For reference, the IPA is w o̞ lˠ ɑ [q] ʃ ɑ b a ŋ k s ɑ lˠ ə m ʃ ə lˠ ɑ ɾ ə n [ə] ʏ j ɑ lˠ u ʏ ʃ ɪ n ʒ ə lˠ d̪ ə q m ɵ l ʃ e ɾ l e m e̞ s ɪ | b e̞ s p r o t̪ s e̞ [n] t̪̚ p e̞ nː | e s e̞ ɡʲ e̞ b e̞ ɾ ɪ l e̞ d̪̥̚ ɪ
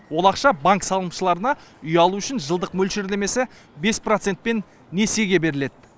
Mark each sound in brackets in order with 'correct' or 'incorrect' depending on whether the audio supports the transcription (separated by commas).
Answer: correct, incorrect, correct